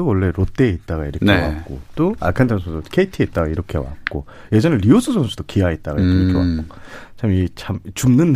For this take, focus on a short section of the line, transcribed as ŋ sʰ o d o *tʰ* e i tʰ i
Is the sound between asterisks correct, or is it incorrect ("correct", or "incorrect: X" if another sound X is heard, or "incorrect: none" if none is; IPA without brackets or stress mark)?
incorrect: kʰ